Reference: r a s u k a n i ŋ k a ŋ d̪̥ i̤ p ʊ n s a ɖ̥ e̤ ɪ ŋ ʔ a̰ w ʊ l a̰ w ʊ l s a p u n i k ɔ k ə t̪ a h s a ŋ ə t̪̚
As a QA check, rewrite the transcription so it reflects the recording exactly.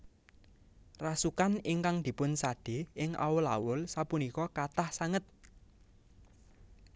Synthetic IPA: r a s u k a n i ŋ k a ŋ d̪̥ i̤ p ʊ n s a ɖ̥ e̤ ɪ ŋ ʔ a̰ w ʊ l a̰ w ʊ l s a p u n i k ɔ k a t̪ a h s a ŋ ə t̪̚